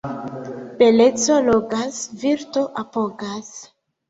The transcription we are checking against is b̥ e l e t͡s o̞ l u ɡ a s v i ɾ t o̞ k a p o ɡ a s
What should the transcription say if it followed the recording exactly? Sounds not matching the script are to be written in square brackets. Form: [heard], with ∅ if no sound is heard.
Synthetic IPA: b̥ e l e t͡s o̞ l [o] ɡ a s v i ɾ t o̞ [ʔ] a p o ɡ a s